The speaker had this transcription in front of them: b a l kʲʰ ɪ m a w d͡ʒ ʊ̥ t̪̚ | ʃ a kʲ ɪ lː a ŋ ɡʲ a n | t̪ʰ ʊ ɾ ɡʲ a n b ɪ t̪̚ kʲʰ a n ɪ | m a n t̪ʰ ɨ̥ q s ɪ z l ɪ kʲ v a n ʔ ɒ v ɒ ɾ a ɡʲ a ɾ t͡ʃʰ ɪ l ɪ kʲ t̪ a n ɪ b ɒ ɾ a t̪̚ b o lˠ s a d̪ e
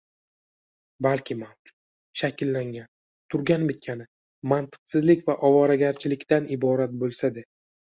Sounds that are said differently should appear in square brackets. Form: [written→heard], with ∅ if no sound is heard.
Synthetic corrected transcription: b a l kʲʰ ɪ m a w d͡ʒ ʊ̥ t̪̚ | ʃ a kʲ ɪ lː a ŋ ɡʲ a n | t̪ʰ ʊ ɾ ɡʲ a n b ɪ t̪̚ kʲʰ a n ɪ | m a n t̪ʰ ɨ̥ q s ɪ z l ɪ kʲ v a [n→∅] ʔ ɒ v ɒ ɾ a ɡʲ a ɾ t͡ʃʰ ɪ l ɪ kʲ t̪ a n ɪ b ɒ ɾ a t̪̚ b o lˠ s a d̪ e